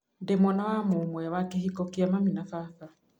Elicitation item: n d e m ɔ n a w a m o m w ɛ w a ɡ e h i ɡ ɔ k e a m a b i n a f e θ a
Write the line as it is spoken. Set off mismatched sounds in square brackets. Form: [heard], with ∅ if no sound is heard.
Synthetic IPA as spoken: n d e m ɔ n a w a m o m w ɛ w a [k] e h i [k] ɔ k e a m a [m] i n a f [a] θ a

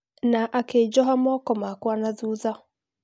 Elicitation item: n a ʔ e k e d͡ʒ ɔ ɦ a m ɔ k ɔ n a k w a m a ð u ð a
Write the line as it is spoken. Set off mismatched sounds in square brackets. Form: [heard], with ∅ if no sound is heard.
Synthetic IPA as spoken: n a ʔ [a] k e d͡ʒ ɔ ɦ a m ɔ k ɔ [m] a k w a [n] a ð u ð a

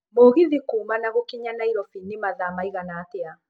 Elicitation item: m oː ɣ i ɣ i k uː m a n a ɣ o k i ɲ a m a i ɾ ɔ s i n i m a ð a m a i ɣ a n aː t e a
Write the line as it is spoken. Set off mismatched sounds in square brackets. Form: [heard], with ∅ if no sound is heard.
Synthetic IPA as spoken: m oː ɣ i [ð] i k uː m a n a ɣ o k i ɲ a [n] a i ɾ ɔ [f] i n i m a ð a m a i ɣ a n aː t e a

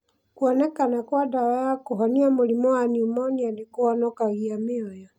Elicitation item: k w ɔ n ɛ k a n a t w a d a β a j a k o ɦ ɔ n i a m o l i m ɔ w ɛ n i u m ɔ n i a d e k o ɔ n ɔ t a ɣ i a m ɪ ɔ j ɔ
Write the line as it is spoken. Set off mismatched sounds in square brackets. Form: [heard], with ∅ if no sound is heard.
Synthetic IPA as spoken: k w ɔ n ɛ k a n a [k] w a d a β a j a k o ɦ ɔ n i a m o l i m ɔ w [a] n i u m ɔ n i a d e k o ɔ n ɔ [k] a ɣ i a m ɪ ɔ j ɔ

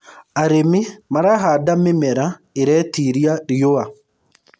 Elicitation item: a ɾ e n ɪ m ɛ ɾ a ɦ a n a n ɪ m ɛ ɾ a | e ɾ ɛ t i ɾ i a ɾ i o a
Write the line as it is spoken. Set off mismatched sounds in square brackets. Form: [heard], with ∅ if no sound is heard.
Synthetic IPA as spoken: a ɾ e [m] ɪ m [a] ɾ a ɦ a [d] a [m] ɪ m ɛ ɾ a | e ɾ ɛ t i ɾ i a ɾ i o a

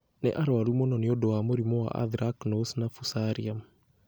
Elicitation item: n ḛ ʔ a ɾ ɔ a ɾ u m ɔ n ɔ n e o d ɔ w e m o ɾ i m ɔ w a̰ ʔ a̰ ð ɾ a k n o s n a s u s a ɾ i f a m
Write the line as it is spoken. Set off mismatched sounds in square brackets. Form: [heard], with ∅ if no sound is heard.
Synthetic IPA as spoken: n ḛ ʔ a ɾ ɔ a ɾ u m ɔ n ɔ n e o d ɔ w [a] m o ɾ i m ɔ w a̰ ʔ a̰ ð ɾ a k n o s n a [f] u s a ɾ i [∅] a m

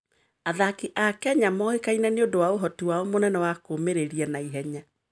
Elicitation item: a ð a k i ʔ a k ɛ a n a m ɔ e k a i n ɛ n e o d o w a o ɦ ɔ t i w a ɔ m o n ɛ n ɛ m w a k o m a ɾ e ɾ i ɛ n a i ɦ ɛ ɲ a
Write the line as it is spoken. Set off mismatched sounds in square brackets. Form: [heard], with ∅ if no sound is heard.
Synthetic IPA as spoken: a ð a k i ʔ a k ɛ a [ɲ] a m ɔ e k a i n ɛ n e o d o w a o ɦ ɔ t i w a ɔ m o n ɛ n ɛ [∅] w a k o m [e] ɾ e ɾ i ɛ n a i ɦ ɛ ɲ a

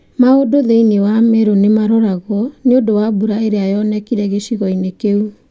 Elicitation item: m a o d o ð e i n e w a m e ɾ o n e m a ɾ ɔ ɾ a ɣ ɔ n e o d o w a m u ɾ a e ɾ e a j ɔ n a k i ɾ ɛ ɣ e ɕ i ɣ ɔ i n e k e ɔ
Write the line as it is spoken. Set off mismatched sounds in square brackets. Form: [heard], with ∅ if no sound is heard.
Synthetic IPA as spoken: m a o d o ð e i n e w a m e ɾ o n e m a ɾ ɔ ɾ a ɣ ɔ n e o d o w a [b] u ɾ a e ɾ e a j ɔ n [ɛ] k i ɾ ɛ ɣ e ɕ i ɣ ɔ i n e k e [u]

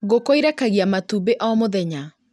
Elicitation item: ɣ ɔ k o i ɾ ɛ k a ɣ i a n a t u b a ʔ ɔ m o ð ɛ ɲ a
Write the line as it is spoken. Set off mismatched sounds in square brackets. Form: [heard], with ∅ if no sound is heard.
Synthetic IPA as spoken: ɣ [o] k o i ɾ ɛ k a ɣ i a [m] a t u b [e] ʔ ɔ m o ð ɛ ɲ a

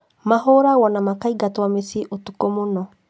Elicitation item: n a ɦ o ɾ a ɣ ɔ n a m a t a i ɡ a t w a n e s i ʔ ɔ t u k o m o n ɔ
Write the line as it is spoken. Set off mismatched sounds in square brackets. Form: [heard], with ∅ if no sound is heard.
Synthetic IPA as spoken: [m] a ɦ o ɾ a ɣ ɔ n a m a [k] a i ɡ a t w a [m] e s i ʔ [o] t u k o m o n ɔ

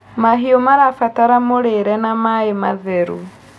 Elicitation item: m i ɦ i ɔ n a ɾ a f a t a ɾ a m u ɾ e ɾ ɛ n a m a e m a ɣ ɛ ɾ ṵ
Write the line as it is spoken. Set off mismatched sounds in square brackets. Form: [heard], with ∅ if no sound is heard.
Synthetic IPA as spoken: m [a] ɦ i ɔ [m] a ɾ a f a t a ɾ a m [o] ɾ e ɾ ɛ n a m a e m a [ð] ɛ ɾ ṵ

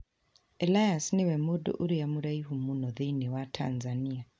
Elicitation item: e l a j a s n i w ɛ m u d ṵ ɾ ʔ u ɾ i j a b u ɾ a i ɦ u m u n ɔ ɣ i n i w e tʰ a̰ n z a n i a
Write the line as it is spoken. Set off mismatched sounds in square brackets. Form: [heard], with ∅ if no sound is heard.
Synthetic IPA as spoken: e l a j a s n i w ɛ m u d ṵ [∅] ʔ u ɾ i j a [m] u ɾ a i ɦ u m u n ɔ [ð] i n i w [a] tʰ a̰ n z a n i a

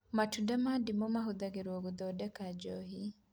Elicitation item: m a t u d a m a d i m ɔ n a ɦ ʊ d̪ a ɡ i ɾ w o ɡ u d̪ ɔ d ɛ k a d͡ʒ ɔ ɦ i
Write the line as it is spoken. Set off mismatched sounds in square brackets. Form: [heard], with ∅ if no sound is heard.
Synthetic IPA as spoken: m a t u d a m a d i m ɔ [m] a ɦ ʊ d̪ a ɡ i ɾ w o ɡ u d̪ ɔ d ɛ k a d͡ʒ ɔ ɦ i

